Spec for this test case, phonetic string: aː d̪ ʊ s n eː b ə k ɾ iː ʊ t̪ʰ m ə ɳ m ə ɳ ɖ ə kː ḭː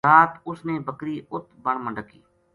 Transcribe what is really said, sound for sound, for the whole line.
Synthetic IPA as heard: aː t̪ ʊ s n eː b ə k ɾ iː ʊ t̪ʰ b ə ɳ m ə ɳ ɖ ə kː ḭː